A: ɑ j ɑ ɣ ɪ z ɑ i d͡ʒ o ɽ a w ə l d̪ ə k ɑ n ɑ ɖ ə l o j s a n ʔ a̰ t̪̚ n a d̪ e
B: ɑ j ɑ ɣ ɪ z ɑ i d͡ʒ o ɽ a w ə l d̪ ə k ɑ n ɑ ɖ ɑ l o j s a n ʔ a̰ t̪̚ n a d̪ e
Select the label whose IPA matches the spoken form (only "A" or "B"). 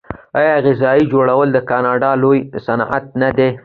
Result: B